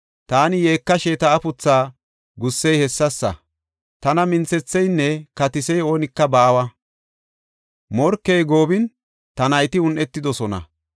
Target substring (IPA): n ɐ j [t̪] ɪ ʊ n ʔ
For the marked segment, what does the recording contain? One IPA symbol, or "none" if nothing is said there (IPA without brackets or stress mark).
t̪